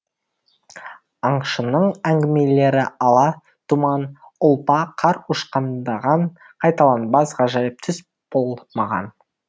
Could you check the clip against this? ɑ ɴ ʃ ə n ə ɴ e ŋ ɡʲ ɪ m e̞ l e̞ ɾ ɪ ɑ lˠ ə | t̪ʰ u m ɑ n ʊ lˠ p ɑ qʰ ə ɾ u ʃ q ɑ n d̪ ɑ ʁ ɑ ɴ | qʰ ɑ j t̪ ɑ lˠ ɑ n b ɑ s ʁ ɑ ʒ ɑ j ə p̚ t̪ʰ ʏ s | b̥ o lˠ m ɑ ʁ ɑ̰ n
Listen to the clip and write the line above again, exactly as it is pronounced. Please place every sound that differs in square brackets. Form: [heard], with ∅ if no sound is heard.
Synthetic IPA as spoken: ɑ ɴ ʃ ə n ə ɴ [æ] ŋ ɡʲ ɪ m e̞ l e̞ ɾ ɪ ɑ lˠ [ɑ] | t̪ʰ u m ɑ n ʊ lˠ p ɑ qʰ [ɑ] ɾ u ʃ q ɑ n d̪ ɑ ʁ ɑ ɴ | qʰ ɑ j t̪ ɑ lˠ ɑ n b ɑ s ʁ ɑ ʒ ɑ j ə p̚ t̪ʰ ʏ s | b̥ o lˠ m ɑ ʁ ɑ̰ n